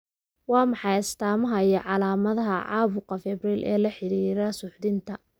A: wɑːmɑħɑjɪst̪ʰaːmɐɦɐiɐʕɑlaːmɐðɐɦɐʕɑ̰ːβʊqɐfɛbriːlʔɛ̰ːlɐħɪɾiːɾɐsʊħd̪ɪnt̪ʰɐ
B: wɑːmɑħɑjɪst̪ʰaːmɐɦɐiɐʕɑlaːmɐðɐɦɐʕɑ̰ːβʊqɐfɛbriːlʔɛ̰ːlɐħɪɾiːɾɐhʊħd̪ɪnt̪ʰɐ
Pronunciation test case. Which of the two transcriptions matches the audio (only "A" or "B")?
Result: A